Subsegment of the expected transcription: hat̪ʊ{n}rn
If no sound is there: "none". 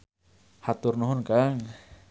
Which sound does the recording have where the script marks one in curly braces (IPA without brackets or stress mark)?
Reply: none